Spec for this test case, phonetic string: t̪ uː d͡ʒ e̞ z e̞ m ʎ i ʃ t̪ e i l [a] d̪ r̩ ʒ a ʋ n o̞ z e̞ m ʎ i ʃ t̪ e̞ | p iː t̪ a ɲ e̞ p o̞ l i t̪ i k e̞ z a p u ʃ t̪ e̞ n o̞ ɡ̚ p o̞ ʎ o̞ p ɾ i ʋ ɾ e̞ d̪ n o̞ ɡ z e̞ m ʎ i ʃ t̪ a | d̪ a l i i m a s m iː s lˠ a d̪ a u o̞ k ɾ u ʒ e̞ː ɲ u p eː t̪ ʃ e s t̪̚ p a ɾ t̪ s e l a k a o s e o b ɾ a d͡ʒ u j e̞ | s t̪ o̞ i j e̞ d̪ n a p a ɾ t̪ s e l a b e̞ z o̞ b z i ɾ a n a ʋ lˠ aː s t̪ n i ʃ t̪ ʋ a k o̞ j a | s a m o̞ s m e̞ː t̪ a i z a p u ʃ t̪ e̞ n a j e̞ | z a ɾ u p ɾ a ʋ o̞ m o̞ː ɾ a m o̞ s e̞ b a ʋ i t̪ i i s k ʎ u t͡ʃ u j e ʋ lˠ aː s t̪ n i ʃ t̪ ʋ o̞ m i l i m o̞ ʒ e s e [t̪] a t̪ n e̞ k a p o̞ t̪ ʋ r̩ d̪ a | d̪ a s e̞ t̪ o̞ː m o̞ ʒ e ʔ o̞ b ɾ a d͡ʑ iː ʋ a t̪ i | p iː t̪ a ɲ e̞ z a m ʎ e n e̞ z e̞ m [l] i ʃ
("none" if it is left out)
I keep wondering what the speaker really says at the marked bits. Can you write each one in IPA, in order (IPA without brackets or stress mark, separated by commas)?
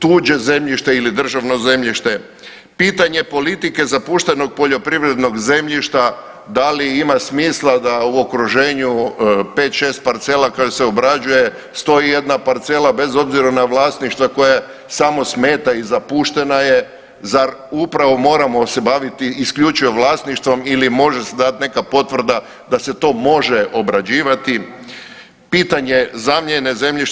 i, d̪, ʎ